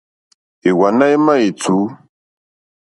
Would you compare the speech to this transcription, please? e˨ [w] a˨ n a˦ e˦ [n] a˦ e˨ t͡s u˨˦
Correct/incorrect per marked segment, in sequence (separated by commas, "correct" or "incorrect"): correct, incorrect